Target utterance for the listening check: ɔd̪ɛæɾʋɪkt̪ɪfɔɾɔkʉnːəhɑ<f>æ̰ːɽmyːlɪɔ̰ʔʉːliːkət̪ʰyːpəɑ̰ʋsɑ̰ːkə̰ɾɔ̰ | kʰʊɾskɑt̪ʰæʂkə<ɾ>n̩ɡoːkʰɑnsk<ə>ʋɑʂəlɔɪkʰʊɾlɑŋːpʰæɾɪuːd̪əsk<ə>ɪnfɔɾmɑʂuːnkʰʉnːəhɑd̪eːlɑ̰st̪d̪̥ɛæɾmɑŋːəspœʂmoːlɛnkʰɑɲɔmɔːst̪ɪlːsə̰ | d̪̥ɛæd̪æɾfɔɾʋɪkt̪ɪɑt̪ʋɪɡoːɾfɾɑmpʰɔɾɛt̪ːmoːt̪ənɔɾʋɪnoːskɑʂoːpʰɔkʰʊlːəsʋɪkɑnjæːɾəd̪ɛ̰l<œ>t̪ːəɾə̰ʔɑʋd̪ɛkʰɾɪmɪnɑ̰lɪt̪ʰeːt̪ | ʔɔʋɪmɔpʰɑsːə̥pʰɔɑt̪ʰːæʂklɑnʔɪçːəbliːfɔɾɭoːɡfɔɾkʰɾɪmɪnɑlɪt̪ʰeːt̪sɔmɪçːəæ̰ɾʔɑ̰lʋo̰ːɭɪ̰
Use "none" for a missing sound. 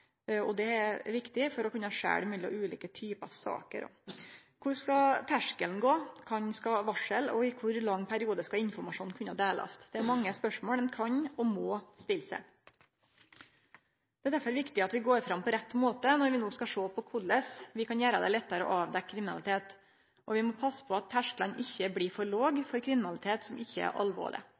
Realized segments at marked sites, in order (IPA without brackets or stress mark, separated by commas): ʂ, l, ɑ, ɑ, ɛ